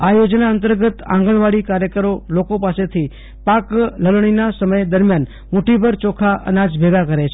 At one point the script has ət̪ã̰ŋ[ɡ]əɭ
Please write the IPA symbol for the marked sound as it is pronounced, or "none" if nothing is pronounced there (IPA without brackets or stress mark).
ɡ